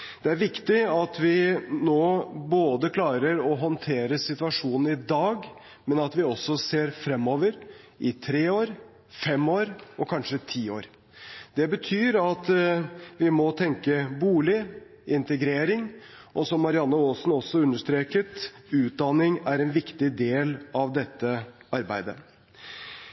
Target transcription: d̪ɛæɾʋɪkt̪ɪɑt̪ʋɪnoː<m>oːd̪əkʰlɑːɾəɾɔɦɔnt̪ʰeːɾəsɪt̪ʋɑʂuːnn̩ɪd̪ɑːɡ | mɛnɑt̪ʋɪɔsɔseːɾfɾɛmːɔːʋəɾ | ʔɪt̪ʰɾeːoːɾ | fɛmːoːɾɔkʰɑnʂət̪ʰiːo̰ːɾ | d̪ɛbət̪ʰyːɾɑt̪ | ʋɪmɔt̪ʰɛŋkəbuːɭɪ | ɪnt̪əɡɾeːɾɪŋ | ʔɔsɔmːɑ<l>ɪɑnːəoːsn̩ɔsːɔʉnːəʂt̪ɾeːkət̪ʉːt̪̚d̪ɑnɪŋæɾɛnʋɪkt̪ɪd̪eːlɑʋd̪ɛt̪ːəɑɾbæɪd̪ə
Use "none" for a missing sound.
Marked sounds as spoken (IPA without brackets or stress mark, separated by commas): b, ɾ